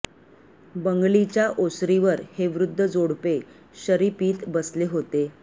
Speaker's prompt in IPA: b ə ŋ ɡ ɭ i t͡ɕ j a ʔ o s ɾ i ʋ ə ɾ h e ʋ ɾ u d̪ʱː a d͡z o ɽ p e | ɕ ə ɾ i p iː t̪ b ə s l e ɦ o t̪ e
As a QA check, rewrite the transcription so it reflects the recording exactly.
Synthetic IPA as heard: b ə ŋ ɡ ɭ i t͡ɕ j a ʔ o s ɾ i ʋ ə ɾ h e ʋ ɾ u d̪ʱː ə d͡z o ɽ p e | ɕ ə ɾ i p iː t̪ b ə s l e ɦ o t̪ e